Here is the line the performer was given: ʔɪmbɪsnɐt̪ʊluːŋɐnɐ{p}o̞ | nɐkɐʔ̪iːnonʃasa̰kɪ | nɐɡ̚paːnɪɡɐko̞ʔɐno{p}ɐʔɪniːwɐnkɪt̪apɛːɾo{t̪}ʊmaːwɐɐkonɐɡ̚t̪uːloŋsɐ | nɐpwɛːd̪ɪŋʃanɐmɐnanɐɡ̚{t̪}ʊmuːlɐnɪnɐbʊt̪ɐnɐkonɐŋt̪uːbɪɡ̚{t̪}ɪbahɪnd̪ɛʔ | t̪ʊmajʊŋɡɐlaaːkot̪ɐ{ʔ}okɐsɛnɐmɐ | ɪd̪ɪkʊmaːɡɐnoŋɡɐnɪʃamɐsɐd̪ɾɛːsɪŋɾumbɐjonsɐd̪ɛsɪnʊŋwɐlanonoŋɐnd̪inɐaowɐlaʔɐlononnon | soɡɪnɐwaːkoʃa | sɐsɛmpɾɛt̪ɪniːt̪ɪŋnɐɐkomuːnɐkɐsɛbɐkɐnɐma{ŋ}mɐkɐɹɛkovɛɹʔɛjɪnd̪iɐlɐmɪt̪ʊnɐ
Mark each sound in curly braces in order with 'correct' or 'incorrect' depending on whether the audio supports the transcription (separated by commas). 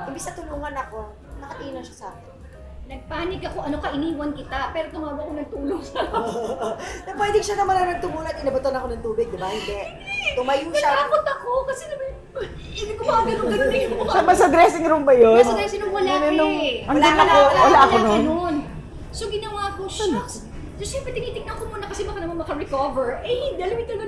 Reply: incorrect, incorrect, correct, correct, incorrect, incorrect, incorrect